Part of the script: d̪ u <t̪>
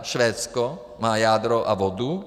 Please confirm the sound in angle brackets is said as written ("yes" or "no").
no